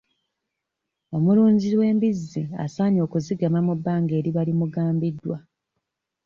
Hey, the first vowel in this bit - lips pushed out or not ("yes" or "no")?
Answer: yes